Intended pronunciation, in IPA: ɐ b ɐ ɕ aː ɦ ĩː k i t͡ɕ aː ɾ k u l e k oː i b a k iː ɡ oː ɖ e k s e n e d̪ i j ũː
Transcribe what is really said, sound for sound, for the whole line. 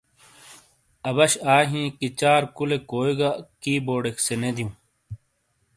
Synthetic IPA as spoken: ɐ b ɐ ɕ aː ɦ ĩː k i t͡ɕ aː ɾ k u l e k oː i ɡ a k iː b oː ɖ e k s e n e d̪ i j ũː